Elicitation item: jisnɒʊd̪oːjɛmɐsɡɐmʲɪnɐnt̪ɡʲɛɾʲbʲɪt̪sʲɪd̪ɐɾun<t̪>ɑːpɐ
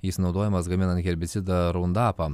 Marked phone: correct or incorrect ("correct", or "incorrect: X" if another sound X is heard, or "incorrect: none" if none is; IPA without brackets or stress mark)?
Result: incorrect: d̪